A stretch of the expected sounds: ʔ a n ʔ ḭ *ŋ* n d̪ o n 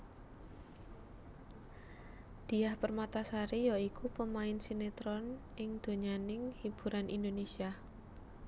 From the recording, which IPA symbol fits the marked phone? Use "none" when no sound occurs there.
none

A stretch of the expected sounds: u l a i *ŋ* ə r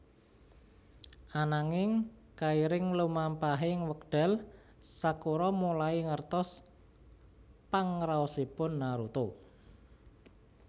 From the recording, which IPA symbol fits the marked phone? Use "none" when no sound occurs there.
ŋ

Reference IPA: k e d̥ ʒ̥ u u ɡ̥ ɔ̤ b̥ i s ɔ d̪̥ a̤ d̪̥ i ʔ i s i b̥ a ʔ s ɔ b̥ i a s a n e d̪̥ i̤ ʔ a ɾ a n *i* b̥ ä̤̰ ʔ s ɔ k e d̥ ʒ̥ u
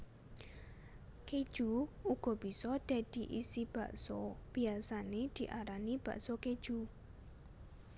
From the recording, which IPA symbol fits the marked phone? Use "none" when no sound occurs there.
i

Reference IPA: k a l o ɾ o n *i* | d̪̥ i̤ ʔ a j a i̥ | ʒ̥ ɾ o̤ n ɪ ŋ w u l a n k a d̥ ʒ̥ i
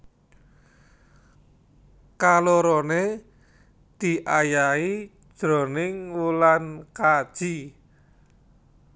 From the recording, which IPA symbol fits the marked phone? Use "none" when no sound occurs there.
e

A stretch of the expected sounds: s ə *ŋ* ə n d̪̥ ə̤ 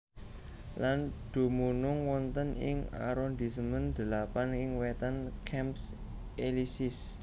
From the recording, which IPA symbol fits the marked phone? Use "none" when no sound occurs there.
m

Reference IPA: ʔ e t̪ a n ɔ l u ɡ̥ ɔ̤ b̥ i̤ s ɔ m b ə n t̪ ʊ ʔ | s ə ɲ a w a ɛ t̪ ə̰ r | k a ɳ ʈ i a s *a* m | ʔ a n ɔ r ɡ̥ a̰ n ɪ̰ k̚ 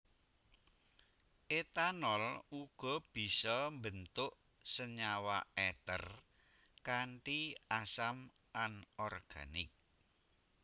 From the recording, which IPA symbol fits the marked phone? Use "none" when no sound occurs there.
a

